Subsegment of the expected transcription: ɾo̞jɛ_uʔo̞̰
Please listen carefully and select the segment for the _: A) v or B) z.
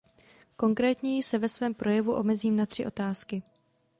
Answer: A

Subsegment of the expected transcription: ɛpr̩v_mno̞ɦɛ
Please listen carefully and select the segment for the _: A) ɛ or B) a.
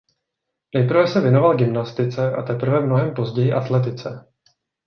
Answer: A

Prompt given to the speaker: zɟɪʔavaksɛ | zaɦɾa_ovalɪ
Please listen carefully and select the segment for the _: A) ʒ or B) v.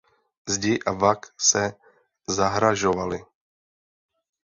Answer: A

